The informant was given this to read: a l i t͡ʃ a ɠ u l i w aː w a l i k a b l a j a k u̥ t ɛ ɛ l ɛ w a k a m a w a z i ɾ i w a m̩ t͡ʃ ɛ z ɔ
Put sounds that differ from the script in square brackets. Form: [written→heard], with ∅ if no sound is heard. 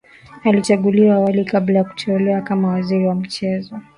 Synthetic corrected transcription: a l i t͡ʃ a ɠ u l i w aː w a l i k a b l a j a k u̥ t ɛ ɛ l ɛ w a k a m a w a z i ɾ i w a m̩ t͡ʃ ɛ z ɔ